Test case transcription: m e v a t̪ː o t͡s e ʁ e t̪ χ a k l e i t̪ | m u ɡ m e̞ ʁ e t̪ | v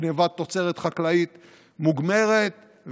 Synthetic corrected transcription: n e v a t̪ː o t͡s e ʁ e t̪ χ a k l a i t̪ | m u ɡ m e̞ ʁ e t̪ | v